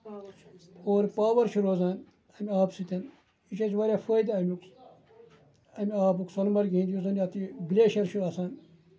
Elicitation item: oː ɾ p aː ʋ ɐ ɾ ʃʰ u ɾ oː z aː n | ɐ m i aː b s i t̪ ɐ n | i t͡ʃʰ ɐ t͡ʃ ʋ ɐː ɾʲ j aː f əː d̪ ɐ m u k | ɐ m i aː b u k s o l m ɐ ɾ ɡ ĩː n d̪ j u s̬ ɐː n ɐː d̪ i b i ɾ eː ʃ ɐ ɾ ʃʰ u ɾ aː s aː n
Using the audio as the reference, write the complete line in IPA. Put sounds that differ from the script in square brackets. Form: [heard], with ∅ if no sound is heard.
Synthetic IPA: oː ɾ p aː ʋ ɐ ɾ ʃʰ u ɾ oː z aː n | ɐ m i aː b s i t̪ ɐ n | i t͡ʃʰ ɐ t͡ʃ ʋ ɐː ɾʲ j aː f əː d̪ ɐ m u k | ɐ m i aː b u k s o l m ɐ ɾ ɡ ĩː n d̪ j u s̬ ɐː n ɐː [t̪] i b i [l] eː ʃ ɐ ɾ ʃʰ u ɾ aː s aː n